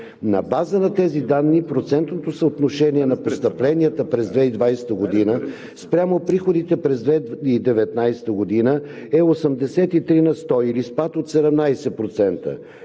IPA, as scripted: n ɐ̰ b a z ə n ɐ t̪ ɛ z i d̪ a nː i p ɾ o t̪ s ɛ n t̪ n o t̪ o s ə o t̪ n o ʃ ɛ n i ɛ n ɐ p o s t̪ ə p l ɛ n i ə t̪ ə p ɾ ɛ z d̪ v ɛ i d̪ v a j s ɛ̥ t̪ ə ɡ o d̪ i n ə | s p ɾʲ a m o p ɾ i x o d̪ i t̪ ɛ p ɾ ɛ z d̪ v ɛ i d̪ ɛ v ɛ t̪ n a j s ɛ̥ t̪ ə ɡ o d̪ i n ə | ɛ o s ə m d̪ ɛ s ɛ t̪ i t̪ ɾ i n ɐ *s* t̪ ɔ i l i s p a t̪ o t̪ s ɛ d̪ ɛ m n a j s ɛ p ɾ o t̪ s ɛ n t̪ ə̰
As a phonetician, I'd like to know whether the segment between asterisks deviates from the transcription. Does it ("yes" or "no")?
no